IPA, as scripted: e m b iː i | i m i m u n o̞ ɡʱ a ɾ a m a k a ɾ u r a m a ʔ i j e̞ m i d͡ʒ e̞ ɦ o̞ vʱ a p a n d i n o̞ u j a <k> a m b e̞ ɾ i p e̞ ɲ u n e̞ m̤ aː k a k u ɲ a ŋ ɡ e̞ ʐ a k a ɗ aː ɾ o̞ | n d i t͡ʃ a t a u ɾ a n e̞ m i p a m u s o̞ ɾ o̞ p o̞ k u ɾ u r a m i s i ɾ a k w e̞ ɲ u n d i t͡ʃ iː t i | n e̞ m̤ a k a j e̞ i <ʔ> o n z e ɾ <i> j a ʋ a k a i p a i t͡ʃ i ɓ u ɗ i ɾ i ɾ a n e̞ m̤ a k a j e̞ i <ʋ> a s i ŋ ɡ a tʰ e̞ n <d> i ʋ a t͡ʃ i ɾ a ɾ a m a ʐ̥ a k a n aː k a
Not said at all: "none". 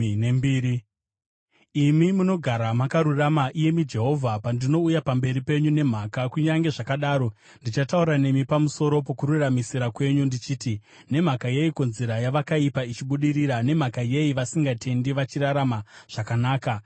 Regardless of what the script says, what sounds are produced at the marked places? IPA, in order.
p, k, a, ʋ, d

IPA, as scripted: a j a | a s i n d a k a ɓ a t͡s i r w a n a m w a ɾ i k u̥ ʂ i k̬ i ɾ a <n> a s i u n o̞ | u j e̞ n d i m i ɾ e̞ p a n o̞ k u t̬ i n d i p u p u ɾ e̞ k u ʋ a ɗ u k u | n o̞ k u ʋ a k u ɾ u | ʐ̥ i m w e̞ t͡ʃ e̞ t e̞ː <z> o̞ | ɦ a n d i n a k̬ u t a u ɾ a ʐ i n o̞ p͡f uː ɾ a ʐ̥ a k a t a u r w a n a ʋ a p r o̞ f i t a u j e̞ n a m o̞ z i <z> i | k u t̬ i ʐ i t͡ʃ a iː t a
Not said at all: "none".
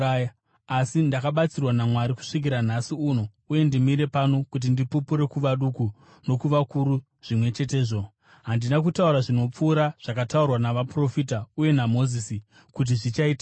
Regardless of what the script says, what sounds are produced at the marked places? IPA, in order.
n, ʐ, s

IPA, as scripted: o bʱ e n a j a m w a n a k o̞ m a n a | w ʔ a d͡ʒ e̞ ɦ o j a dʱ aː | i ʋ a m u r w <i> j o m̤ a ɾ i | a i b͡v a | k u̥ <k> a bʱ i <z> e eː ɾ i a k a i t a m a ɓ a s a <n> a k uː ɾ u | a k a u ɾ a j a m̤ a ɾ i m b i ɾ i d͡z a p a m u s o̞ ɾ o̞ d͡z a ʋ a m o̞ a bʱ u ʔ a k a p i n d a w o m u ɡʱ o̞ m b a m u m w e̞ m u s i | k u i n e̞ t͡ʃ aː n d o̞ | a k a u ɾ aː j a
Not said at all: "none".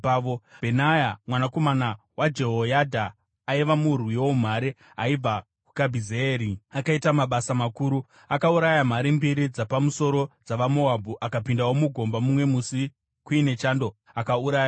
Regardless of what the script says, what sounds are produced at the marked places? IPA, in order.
i, k, z, m

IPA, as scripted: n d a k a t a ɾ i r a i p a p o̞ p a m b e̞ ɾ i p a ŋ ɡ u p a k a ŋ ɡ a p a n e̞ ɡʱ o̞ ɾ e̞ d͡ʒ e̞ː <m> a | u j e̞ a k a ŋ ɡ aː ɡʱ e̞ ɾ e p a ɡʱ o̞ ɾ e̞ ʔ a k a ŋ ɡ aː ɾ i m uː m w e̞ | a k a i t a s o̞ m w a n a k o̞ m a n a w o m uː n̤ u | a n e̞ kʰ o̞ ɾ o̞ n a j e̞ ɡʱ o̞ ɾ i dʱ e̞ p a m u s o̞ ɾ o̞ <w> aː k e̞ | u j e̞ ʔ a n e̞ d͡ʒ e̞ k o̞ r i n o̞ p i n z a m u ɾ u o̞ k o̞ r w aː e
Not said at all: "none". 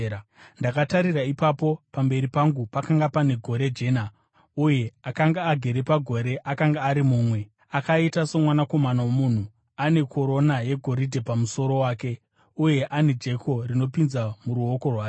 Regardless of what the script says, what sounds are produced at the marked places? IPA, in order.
n, w

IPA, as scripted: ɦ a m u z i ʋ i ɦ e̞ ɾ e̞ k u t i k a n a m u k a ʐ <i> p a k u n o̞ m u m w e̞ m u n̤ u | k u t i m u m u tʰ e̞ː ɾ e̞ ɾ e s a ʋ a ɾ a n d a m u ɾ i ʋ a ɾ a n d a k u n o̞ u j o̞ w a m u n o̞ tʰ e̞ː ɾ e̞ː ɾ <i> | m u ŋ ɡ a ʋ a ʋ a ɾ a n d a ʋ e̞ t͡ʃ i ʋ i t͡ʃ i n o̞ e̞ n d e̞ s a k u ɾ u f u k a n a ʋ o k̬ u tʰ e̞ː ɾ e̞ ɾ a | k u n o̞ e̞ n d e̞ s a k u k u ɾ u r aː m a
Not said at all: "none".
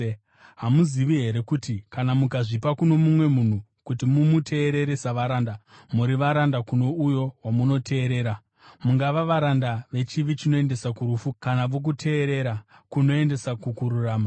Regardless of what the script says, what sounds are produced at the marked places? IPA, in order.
i, a

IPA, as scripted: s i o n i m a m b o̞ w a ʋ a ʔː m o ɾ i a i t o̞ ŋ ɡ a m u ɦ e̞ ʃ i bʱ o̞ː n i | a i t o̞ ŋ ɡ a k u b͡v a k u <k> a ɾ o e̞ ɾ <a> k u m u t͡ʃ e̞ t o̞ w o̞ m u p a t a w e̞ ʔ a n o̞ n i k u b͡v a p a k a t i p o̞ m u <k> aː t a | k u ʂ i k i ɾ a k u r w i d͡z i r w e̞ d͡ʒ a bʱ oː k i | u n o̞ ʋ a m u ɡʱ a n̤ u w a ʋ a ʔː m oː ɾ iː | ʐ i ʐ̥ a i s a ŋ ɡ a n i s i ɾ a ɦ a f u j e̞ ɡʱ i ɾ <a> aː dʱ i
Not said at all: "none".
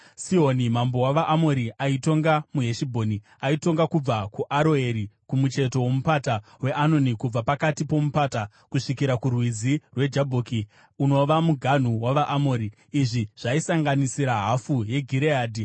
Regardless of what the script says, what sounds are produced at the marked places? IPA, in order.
ʔ, i, p, e

